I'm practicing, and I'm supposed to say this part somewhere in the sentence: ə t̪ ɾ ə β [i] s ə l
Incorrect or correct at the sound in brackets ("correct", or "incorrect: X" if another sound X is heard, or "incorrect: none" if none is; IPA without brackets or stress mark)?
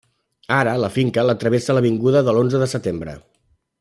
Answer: incorrect: e